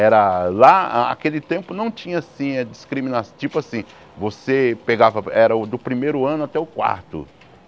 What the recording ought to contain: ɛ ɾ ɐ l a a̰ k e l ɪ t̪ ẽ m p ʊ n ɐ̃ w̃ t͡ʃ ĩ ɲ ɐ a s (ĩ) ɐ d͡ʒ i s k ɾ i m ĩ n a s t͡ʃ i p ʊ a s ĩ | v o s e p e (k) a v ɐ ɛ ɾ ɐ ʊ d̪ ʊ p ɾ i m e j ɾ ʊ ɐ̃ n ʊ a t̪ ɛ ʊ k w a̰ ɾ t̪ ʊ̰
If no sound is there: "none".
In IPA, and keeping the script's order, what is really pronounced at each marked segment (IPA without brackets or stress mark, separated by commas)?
ĩ, ɡ